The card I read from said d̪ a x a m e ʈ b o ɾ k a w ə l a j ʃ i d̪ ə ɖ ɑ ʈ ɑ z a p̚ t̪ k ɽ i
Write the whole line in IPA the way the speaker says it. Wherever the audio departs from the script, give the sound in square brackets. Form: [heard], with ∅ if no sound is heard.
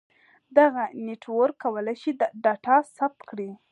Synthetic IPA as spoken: d̪ a [ɣ] a [n] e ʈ [w] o ɾ k a w ə l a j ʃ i d̪ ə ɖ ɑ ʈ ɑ [s] a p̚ t̪ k ɽ i